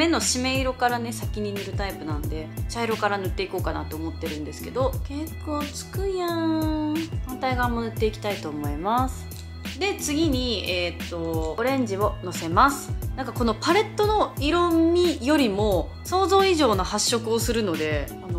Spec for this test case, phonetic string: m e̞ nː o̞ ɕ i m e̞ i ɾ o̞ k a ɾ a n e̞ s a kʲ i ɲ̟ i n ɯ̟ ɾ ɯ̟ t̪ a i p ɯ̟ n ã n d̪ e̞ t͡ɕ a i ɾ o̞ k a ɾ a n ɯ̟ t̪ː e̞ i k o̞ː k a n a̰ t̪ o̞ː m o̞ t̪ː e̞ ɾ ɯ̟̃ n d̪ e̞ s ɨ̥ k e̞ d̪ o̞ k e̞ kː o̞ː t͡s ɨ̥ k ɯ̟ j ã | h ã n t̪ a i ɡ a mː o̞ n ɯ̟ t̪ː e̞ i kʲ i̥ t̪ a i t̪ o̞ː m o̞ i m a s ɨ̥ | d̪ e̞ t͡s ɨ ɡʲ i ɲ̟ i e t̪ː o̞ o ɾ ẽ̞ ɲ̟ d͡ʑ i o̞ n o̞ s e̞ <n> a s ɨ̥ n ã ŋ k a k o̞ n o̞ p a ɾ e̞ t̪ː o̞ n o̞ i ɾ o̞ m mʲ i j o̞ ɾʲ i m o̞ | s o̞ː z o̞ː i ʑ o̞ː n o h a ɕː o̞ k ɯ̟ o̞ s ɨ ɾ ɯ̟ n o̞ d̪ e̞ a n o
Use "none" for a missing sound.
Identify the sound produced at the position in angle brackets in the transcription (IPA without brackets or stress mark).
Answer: m